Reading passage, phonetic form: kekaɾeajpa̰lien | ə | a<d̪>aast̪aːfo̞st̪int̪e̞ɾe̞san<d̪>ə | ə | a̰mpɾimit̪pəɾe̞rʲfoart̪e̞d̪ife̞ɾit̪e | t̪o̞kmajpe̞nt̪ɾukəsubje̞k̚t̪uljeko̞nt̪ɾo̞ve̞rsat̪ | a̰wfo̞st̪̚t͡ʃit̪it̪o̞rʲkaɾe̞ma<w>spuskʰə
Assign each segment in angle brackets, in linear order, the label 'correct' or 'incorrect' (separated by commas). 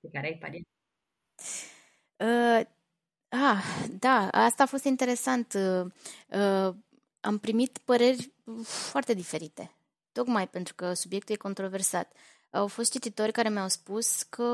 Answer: correct, incorrect, correct